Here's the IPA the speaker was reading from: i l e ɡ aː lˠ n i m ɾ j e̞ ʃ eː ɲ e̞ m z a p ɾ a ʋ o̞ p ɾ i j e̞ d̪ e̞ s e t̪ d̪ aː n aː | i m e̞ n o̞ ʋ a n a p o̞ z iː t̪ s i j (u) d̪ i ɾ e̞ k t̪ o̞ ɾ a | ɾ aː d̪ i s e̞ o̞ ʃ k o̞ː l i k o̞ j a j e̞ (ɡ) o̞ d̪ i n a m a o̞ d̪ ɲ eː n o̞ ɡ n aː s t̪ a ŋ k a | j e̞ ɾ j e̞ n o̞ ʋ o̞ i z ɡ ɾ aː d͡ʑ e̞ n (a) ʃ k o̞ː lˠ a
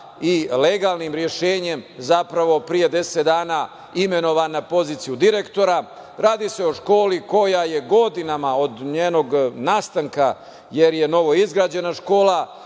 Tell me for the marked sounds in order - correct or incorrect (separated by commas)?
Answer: correct, correct, correct